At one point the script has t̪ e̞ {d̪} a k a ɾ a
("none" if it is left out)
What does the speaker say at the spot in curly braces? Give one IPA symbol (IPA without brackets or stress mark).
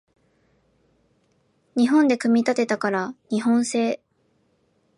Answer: t̪